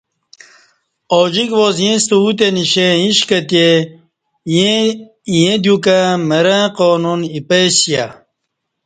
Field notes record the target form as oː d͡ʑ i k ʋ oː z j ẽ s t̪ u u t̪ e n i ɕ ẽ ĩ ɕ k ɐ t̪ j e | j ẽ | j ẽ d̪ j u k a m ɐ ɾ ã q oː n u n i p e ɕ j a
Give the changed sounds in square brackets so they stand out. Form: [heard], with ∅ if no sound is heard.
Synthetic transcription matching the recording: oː d͡ʑ i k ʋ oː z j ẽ s t̪ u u t̪ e n i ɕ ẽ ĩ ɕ k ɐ t̪ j e | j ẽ | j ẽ d̪ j u k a m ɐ ɾ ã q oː n u n i p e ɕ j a